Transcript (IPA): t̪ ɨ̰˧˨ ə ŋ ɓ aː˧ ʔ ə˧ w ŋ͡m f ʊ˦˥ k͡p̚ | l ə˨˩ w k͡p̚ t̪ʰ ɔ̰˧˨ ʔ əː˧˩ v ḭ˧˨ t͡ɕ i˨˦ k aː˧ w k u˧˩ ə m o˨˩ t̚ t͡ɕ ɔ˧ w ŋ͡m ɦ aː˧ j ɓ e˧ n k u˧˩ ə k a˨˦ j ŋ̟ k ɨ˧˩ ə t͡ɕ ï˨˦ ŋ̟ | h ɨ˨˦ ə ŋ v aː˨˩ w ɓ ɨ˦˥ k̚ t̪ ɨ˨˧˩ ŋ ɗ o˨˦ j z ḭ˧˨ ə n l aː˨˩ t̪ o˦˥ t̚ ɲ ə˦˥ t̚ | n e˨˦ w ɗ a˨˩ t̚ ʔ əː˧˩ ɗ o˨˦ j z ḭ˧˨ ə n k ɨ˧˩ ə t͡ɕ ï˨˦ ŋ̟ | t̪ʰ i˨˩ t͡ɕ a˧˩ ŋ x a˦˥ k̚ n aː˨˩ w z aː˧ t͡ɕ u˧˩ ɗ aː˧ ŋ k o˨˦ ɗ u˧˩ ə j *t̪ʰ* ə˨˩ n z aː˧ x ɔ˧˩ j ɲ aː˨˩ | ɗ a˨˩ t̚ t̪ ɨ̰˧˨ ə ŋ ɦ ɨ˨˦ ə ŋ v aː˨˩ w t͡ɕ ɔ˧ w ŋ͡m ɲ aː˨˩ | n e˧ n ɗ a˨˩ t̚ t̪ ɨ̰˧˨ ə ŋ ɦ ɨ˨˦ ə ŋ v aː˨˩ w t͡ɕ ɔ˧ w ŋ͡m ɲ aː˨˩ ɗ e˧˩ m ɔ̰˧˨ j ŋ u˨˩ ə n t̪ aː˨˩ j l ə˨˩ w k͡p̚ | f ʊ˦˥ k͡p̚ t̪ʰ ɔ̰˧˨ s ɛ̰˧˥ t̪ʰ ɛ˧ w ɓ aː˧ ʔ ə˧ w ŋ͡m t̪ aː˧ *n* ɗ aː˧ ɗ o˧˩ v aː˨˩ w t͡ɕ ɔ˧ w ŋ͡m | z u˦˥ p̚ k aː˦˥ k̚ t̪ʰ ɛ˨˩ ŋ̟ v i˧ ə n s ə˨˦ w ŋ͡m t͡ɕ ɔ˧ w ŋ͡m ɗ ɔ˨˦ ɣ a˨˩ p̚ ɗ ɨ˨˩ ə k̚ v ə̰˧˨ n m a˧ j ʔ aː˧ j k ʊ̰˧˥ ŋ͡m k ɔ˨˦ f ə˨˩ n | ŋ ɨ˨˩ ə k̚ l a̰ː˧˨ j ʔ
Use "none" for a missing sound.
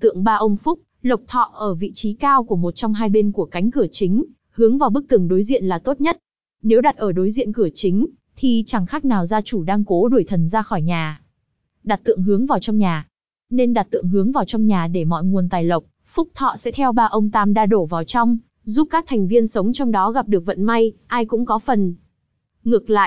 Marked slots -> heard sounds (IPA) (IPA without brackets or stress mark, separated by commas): t̪ʰ, m